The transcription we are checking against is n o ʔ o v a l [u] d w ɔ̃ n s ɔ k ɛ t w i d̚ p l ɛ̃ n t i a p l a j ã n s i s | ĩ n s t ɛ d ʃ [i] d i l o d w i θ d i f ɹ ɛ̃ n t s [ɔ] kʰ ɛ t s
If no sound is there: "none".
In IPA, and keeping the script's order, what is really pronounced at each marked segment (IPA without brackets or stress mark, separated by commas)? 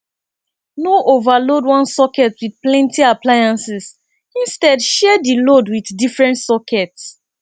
o, ɛ, ɔ